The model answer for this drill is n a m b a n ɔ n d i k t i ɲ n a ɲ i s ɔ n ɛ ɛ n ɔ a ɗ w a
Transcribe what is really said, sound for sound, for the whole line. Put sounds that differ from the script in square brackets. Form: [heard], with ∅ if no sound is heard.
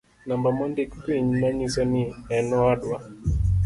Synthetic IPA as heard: n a m b a [m] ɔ n d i k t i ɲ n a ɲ i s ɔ n [i] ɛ n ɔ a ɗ w a